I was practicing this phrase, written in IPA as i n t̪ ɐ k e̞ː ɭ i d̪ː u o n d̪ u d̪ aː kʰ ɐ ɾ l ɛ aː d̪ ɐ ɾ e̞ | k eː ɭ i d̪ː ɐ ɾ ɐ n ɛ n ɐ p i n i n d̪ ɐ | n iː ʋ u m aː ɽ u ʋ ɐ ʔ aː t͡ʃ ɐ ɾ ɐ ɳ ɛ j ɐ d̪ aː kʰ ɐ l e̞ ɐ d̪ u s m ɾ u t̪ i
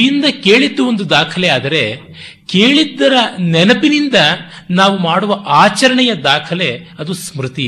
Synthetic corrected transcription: i n d̪ ɐ k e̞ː ɭ i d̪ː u o n d̪ u d̪ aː kʰ ɐ l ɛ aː d̪ ɐ ɾ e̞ | k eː ɭ i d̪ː ɐ ɾ ɐ n ɛ n ɐ p i n i n d̪ ɐ | n aː ʋ u m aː ɽ u ʋ ɐ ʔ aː t͡ʃ ɐ ɾ ɐ ɳ ɛ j ɐ d̪ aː kʰ ɐ l e̞ ɐ d̪ u s m ɾ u t̪ i